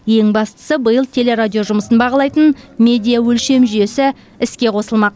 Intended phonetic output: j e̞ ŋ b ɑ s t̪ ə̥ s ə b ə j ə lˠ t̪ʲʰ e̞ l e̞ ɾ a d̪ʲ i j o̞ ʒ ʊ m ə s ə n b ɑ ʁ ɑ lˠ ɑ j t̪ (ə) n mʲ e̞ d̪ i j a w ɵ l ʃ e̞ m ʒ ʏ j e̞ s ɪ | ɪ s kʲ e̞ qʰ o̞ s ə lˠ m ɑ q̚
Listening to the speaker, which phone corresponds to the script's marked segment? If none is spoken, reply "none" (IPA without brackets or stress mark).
ə